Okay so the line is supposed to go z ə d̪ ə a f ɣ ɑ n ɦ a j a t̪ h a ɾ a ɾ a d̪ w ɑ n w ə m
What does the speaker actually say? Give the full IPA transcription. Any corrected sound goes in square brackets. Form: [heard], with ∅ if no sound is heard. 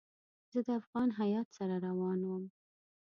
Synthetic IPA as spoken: z ə d̪ ə a f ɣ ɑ n ɦ a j [ɑ] t̪ [s] a ɾ a ɾ a [∅] w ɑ n w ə m